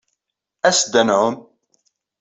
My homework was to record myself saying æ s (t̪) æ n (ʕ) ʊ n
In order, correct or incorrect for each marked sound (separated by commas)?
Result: incorrect, correct